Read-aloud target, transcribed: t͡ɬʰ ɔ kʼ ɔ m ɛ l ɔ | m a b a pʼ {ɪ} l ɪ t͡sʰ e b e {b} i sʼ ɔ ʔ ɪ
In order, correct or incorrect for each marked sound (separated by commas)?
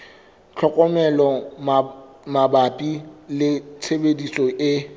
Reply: incorrect, incorrect